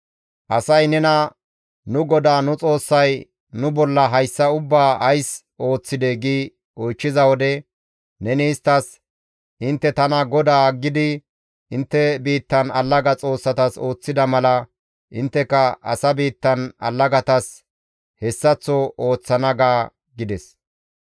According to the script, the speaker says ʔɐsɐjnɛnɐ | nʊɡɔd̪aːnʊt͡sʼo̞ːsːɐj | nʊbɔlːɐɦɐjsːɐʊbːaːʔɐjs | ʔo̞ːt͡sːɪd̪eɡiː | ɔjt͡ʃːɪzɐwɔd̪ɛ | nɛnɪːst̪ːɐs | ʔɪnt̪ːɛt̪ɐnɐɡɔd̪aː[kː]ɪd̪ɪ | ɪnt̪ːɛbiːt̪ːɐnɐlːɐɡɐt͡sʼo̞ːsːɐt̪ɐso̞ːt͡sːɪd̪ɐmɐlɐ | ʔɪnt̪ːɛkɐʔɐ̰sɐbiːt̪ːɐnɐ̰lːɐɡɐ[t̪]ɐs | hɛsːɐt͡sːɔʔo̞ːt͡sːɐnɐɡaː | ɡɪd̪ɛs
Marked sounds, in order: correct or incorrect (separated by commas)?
incorrect, correct